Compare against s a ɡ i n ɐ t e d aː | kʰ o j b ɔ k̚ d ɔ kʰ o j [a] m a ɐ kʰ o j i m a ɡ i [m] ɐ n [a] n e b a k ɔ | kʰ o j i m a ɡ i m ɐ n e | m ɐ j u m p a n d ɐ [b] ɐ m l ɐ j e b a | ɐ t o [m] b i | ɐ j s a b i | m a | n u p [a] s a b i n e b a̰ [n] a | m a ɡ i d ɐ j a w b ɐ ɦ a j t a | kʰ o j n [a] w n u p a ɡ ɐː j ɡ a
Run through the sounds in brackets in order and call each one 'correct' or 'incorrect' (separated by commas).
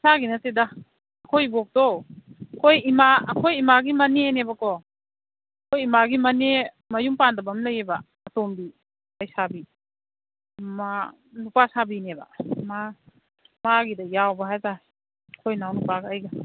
incorrect, correct, incorrect, correct, correct, correct, incorrect, correct